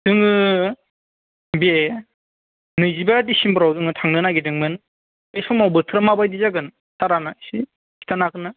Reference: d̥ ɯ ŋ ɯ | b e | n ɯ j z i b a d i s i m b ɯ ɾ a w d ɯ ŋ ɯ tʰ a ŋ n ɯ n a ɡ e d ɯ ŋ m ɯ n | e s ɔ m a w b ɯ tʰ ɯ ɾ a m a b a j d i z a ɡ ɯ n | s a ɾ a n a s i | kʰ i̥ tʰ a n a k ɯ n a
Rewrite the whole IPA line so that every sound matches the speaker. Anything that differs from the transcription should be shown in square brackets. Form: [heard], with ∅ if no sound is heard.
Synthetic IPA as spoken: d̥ ɯ ŋ ɯ | b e | n ɯ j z i b a d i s i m b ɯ ɾ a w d ɯ ŋ ɯ tʰ a ŋ n ɯ n a ɡ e d ɯ ŋ m ɯ n | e s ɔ m a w b ɯ tʰ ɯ ɾ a m a b a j d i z a ɡ ɯ n | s a ɾ a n a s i | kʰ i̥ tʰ a n a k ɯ n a